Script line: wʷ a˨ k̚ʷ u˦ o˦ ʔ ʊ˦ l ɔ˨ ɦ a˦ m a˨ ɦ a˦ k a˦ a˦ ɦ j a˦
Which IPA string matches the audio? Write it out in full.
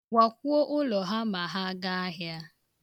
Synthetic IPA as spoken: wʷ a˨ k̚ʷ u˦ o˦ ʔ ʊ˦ l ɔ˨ ɦ a˦ m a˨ ɦ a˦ ɡ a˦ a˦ ɦ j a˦